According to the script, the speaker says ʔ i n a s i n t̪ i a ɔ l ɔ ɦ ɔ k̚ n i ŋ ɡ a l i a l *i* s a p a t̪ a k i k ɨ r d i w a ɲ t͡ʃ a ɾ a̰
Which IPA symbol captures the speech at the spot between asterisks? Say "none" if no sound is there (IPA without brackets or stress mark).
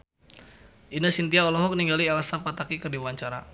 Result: a